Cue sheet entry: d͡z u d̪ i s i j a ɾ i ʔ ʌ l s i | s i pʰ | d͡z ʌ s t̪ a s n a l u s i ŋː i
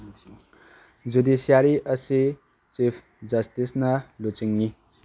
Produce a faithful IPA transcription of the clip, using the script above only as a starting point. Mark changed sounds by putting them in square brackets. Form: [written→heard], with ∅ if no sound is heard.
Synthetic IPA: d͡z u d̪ i s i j a ɾ i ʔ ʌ [l→∅] s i | [s→t͡s] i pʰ | d͡z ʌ s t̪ [a→i] s n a l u [s→t͡s] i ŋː i